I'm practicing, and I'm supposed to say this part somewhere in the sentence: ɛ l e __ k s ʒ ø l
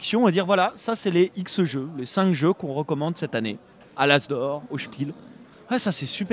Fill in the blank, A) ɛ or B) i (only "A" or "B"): B